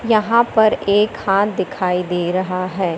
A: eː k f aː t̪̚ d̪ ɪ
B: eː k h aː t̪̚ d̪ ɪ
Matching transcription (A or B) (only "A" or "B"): B